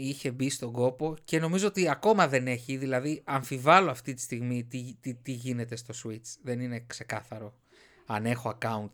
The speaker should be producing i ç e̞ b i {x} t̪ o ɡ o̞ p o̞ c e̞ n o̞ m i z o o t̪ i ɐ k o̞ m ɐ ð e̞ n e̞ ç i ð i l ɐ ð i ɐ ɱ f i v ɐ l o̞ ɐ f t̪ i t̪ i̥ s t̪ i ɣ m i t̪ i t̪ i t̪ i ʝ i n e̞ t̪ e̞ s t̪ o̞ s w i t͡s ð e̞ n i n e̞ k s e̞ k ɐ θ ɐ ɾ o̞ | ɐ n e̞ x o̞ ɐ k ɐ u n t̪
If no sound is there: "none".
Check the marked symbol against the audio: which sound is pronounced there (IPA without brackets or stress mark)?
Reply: s